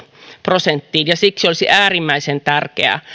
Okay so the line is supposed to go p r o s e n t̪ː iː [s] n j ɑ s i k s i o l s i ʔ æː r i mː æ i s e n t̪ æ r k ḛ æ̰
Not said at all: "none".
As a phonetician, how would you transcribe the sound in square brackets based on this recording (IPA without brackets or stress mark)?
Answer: none